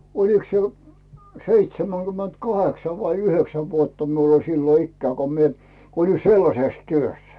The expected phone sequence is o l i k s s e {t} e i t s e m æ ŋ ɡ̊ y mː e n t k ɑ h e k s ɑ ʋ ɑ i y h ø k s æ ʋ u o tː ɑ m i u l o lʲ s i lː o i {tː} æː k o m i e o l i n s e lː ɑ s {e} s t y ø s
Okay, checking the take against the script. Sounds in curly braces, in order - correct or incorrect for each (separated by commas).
incorrect, incorrect, correct